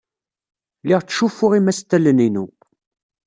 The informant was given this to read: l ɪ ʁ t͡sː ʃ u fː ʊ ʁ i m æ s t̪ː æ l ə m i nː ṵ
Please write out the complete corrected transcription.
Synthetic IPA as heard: l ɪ ʁ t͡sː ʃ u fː ʊ ʁ i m æ s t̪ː æ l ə n i n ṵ